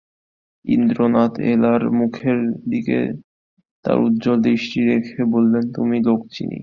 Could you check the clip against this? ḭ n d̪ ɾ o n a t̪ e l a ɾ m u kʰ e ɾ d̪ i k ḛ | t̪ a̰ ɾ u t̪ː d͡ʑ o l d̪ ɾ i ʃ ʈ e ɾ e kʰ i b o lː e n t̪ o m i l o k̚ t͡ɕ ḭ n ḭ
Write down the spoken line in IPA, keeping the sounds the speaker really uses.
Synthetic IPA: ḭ n d̪ ɾ o n a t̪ e l a ɾ m u kʰ e ɾ d̪ i k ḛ | t̪ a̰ ɾ u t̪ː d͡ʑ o l d̪ ɾ i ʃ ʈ i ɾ e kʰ e b o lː e n t̪ u m i l o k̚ t͡ɕ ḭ n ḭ